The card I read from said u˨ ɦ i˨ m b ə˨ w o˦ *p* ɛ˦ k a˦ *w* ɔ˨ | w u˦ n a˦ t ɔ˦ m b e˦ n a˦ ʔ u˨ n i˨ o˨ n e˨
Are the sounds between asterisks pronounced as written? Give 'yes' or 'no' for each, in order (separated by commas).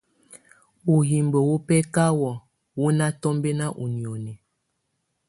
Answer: yes, yes